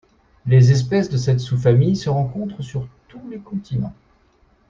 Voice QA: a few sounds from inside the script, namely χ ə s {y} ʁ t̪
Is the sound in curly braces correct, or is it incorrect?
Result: correct